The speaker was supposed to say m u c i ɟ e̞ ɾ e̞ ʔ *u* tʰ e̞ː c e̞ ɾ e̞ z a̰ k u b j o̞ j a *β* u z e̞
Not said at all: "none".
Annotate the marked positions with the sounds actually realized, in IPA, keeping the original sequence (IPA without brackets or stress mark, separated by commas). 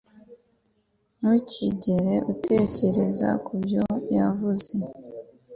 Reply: u, v